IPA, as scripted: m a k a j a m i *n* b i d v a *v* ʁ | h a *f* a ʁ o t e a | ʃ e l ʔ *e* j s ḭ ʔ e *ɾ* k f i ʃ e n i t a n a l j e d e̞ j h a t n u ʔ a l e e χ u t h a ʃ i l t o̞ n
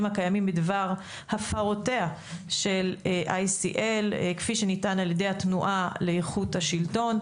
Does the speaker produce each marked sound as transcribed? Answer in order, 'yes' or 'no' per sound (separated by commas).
no, no, yes, no, no